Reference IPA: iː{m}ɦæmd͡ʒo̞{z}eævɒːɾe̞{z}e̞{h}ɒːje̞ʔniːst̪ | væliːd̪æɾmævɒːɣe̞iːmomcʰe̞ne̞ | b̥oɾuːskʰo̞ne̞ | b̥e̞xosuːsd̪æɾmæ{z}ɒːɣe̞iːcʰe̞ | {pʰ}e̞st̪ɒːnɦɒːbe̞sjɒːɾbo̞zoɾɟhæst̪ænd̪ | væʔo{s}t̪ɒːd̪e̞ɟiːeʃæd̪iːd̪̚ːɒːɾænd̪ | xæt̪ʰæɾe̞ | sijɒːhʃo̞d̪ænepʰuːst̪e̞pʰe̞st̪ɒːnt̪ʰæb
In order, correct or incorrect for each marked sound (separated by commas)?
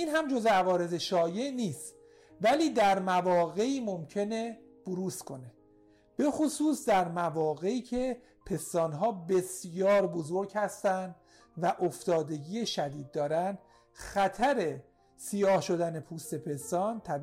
incorrect, correct, correct, incorrect, incorrect, correct, incorrect